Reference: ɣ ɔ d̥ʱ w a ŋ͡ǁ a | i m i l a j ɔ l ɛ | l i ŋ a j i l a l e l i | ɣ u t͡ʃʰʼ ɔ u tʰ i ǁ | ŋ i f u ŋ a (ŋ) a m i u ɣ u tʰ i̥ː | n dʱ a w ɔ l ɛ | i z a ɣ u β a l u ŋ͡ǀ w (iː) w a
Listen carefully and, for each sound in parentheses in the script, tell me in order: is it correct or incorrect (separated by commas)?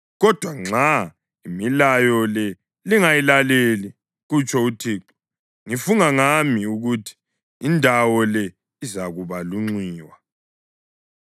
correct, correct